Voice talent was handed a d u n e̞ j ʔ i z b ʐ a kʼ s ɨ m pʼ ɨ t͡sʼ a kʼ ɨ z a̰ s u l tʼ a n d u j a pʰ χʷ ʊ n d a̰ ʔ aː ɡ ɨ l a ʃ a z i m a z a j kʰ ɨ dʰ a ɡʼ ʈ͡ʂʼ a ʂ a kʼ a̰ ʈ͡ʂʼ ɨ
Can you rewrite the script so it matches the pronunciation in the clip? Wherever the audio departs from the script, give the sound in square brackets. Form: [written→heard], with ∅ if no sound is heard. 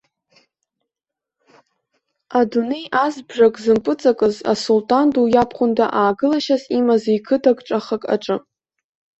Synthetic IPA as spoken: a d u n e̞ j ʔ [i→a] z b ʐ a kʼ [s→z] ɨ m pʼ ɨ t͡sʼ a kʼ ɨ z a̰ s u l tʼ a n d u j a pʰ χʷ ʊ n d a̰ ʔ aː ɡ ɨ l a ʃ a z i m a z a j kʰ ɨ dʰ a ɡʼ ʈ͡ʂʼ a [ʂ→χ] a kʼ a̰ ʈ͡ʂʼ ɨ

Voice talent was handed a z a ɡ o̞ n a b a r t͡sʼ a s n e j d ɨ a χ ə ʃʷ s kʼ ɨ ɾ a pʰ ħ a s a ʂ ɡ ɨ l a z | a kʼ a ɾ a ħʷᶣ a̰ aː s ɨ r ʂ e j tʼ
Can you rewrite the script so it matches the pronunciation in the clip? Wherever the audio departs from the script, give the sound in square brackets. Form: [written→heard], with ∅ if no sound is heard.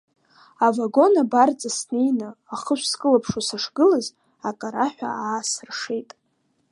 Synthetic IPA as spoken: a [z→v] a ɡ o̞ n a b a r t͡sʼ a s n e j [d→n] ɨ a χ ə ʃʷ s kʼ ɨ [ɾ→l] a pʰ [ħ→ʂ] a s a ʂ ɡ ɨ l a z | a kʼ a ɾ a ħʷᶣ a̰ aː s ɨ r ʂ e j tʼ

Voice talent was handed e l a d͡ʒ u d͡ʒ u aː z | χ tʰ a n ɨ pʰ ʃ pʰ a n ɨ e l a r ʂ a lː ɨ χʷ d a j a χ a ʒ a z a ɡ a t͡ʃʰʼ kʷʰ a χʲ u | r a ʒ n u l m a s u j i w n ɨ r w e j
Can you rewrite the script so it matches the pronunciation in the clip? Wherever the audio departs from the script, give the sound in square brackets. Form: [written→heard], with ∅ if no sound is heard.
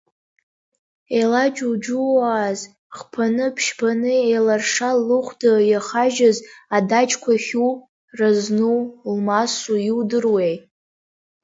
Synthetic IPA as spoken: e l a d͡ʒ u d͡ʒ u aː z | χ [tʰ→pʰ] a n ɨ pʰ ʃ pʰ a n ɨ e l a r ʂ a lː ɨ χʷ d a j a χ a ʒ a z a [ɡ→d] a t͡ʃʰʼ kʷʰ a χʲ u | r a [ʒ→z] n u l m a s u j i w [n→d] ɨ r w e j

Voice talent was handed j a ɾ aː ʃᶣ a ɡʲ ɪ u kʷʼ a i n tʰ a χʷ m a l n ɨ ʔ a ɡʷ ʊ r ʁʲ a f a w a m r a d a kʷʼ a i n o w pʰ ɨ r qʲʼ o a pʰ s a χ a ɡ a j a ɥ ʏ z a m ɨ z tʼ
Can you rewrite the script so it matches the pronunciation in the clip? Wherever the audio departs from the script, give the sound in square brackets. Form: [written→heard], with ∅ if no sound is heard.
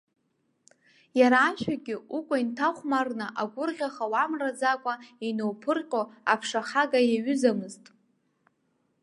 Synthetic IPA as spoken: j a ɾ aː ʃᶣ a ɡʲ ɪ u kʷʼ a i n tʰ a χʷ m a [l→r] n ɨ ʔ a ɡʷ ʊ r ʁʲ a [f→χ] a w a m r a [d→d͡z] a kʷʼ a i n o w pʰ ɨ r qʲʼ o a pʰ [s→ʂ] a χ a ɡ a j a ɥ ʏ z a m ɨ z tʼ

